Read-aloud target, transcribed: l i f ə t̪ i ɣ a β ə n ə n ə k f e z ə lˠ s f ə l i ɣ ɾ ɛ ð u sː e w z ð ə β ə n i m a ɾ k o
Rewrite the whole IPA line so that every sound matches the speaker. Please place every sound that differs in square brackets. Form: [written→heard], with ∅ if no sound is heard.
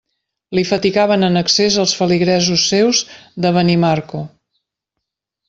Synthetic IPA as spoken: l i f ə t̪ i ɣ a β ə n ə n ə k [f→s] e z ə lˠ s f ə l i ɣ ɾ ɛ [ð→z] u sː e w z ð ə β ə n i m a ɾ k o